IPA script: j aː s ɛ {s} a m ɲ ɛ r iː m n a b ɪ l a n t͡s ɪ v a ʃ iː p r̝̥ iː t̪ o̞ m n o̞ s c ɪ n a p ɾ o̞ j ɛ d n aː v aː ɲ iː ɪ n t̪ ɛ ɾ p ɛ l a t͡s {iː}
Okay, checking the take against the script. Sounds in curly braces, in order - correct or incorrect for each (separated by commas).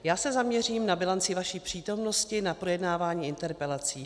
incorrect, correct